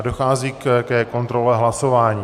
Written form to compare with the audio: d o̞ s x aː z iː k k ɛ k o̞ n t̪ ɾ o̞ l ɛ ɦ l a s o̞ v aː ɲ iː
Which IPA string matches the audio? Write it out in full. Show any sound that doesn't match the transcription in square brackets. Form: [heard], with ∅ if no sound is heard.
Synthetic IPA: d o̞ [∅] x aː z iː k k ɛ k o̞ n t̪ ɾ o̞ l ɛ ɦ l a s o̞ v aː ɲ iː